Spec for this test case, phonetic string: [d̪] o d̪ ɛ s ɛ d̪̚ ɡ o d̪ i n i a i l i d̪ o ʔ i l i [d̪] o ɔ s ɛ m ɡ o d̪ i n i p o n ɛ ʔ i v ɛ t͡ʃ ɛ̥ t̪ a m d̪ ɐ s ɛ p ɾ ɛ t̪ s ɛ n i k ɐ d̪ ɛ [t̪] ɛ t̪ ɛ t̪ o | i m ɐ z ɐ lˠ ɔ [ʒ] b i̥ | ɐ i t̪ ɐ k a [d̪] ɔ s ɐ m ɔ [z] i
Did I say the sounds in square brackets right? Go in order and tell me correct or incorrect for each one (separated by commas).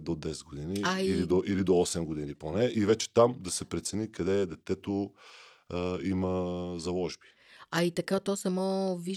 correct, correct, incorrect, correct, incorrect, incorrect